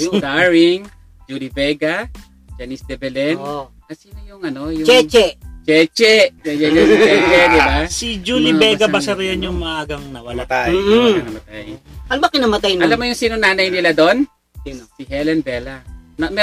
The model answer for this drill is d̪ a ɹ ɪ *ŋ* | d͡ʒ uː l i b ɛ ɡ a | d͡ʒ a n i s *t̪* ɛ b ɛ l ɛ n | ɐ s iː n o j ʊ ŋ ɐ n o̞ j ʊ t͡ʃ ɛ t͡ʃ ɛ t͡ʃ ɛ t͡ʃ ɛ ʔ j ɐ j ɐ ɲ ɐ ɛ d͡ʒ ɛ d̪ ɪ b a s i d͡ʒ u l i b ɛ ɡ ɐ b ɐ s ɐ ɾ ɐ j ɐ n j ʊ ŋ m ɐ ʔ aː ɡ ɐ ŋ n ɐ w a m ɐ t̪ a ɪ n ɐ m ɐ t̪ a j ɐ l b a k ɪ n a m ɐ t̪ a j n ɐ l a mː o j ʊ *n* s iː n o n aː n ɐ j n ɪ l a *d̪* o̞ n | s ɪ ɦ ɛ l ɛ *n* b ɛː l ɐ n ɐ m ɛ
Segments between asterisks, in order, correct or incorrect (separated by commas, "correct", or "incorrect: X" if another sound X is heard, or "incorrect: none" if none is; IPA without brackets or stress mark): correct, incorrect: d̪, incorrect: ŋ, correct, correct